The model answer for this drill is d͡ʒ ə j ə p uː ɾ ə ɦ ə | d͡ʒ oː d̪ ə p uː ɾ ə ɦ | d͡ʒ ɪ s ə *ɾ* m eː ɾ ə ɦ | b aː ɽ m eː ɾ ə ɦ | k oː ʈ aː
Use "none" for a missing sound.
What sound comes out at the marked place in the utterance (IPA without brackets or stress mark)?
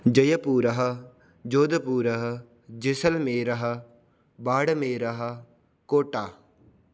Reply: l